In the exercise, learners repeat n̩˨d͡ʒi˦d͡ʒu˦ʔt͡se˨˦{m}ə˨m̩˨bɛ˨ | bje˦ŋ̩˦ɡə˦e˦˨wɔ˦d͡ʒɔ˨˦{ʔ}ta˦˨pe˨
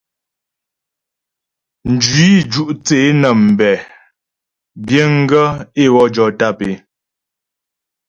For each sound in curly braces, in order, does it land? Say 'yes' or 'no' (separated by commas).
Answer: no, no